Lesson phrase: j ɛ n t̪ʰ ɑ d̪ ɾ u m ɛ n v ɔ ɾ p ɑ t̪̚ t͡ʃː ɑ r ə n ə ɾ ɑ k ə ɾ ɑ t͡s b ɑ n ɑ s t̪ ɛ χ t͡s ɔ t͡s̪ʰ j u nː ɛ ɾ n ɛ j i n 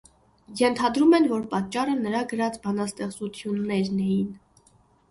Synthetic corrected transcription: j ɛ n t̪ʰ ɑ d̪ ɾ u m ɛ n v ɔ ɾ p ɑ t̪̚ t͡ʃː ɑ r ə n ə ɾ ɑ ɡ ə ɾ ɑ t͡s b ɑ n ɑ s t̪ ɛ χ t͡s u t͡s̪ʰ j u nː ɛ ɾ n ɛ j i n